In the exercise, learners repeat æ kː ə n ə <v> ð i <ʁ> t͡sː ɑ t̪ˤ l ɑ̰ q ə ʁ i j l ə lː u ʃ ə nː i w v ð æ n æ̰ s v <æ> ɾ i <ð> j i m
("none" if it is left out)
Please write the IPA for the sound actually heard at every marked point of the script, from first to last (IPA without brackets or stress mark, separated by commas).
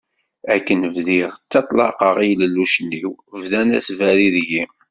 v, ʁ, æ, ð